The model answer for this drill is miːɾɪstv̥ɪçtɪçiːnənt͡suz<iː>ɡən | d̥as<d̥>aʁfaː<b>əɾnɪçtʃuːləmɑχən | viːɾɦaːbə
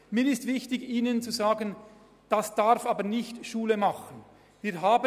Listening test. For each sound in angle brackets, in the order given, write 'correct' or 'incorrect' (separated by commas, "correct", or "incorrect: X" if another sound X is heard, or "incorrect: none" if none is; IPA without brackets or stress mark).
incorrect: aː, correct, correct